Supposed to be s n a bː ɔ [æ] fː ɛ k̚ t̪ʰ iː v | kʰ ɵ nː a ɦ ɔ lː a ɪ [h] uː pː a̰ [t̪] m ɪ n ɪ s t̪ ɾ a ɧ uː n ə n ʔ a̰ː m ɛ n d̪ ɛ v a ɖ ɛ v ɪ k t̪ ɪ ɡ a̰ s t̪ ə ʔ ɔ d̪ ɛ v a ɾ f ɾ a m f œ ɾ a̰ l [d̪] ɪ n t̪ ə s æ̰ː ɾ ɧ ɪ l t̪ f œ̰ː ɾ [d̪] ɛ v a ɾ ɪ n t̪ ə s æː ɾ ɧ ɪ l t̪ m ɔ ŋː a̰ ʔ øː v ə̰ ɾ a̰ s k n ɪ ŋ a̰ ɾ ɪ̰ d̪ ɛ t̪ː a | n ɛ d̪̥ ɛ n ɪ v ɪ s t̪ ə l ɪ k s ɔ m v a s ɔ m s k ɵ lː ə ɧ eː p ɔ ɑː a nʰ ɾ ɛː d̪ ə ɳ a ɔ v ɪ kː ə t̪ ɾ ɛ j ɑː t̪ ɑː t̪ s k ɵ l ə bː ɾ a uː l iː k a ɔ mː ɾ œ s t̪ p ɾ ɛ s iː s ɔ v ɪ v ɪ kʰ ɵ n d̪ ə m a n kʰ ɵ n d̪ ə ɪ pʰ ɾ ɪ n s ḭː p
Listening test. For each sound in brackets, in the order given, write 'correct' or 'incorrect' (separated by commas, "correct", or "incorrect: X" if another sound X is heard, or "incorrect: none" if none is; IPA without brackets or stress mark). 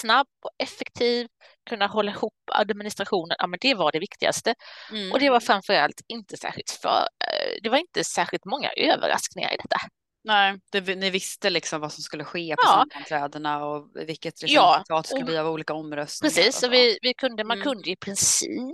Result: incorrect: ɛ, correct, incorrect: d̪, incorrect: t̪, correct